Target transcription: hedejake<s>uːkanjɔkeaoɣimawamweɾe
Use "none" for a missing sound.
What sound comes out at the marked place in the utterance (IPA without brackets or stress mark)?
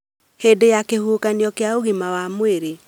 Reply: h